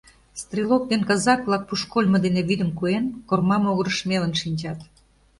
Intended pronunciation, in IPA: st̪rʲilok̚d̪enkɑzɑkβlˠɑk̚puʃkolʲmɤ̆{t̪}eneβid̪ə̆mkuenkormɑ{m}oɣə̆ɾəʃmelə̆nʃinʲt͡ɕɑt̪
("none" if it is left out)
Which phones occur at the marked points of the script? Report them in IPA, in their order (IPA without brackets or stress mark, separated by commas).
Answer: d̪, m